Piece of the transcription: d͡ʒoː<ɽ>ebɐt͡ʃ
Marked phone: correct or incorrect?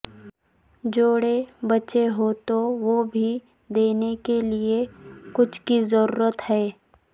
correct